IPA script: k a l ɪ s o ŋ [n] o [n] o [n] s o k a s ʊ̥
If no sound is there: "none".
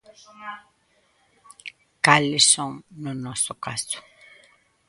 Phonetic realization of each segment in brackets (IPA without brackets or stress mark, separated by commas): n, n, none